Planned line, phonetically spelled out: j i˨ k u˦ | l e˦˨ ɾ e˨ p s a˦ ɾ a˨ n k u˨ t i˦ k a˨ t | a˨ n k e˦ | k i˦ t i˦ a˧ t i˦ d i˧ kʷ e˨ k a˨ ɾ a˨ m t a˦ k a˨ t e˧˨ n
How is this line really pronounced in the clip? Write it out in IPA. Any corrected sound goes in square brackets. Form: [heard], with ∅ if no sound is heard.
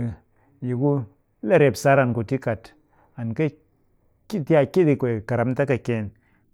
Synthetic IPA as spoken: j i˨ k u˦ | l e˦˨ ɾ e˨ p s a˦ ɾ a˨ n k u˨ t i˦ k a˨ t | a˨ n k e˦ | k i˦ t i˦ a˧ [k] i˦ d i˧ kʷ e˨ k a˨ ɾ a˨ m t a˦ k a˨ [k] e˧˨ n